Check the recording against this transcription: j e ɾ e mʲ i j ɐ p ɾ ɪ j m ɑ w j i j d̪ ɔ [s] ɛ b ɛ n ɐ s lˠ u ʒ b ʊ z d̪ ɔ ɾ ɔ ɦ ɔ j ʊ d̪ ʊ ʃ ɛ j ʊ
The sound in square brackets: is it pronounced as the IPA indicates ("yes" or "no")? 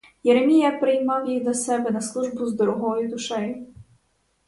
yes